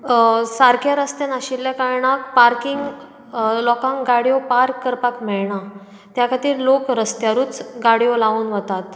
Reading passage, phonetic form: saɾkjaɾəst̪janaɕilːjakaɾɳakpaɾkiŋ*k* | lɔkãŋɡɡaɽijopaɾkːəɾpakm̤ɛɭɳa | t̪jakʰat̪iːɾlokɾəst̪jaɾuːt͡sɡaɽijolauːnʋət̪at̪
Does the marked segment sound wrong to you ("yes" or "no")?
yes